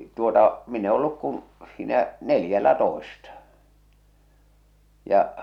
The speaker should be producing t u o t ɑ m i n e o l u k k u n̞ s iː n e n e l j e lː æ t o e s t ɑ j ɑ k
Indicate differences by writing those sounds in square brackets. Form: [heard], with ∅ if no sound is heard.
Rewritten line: t u o t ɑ m i n e o [lː] u k k u n̞ s iː n [æ] n e l j [æ] lː æ t o e s t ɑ j ɑ [ʔ]